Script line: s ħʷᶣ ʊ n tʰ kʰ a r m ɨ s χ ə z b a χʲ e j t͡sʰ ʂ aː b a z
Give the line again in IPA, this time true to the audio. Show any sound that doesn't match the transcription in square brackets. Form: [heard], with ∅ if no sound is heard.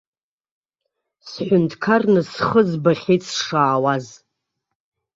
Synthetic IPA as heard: s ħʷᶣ ʊ n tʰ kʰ a r [n] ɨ s χ ə z b a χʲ e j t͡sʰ ʂ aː [w] a z